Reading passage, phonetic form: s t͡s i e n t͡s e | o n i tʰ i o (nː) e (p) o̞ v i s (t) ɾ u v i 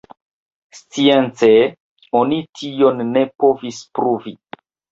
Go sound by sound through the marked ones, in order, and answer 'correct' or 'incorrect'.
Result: correct, correct, incorrect: p

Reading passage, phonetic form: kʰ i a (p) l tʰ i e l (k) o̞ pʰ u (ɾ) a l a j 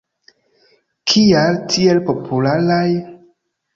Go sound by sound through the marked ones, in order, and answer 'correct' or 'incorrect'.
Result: incorrect: none, incorrect: p, incorrect: l

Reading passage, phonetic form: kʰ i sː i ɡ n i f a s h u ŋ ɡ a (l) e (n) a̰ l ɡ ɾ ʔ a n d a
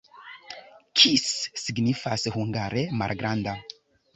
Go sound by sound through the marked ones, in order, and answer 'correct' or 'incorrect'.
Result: incorrect: ɾ, incorrect: m

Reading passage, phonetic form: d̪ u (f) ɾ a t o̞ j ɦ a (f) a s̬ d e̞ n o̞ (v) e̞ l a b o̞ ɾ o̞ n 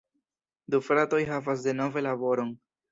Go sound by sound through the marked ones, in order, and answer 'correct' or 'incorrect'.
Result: correct, incorrect: v, correct

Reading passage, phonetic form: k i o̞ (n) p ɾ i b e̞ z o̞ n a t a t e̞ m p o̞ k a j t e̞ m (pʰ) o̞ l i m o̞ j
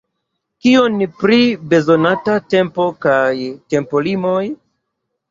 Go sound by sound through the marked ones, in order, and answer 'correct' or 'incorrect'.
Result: correct, incorrect: p

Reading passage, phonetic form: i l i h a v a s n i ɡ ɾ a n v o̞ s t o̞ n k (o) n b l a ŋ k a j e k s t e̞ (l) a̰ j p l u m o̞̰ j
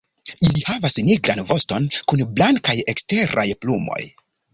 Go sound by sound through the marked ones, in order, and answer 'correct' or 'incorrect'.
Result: incorrect: u, incorrect: ɾ

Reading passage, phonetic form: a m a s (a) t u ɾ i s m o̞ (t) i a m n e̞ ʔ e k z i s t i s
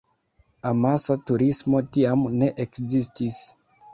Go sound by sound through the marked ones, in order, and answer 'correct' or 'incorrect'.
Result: correct, correct

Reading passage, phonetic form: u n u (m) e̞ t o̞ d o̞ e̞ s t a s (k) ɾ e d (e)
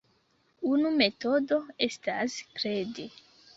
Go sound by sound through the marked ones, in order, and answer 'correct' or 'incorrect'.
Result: correct, correct, correct

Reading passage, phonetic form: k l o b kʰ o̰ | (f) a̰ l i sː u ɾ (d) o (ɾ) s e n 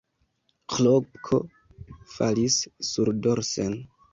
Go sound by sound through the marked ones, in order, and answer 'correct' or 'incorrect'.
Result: correct, correct, correct

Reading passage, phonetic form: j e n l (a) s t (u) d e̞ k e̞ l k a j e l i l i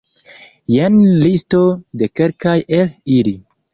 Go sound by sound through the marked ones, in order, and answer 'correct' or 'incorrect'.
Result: incorrect: i, incorrect: o

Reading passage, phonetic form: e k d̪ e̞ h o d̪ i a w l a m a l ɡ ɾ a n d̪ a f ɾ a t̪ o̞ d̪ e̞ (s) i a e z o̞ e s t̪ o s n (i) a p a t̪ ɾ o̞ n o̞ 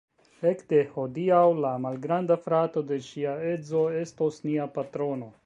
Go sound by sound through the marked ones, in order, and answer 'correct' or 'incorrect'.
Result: incorrect: ʃ, correct

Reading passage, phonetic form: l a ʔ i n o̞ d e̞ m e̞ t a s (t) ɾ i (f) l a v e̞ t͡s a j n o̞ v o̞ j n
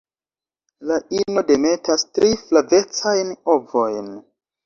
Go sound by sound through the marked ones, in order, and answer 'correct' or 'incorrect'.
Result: correct, correct

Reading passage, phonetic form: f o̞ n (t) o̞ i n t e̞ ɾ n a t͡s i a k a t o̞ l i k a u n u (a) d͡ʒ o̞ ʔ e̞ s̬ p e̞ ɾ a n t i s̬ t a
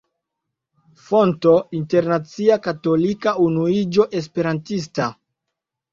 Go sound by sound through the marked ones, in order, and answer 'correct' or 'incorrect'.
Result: correct, incorrect: i

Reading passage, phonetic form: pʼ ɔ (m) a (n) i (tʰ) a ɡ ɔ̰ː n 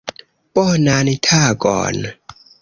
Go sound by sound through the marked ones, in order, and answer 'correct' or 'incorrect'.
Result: incorrect: n, correct, correct

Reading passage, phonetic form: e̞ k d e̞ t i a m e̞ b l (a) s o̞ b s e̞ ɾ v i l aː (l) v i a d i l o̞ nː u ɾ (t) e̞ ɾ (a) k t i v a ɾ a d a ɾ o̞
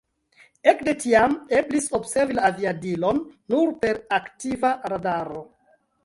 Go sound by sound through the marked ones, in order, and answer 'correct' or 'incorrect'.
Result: incorrect: i, incorrect: none, incorrect: p, correct

